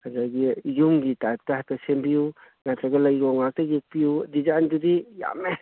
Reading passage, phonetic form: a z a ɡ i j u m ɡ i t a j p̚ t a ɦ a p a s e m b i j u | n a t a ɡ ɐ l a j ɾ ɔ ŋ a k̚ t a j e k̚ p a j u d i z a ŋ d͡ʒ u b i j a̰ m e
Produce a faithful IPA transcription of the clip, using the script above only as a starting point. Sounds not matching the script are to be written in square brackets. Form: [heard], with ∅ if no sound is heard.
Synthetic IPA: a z a ɡ i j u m ɡ i t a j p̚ t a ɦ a [t] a s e m b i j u | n a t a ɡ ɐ l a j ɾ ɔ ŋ a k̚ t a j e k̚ p [i] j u d i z a [n] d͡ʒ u [d] i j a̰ m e